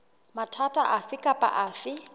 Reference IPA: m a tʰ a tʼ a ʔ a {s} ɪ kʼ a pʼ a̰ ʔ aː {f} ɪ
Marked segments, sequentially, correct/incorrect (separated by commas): incorrect, correct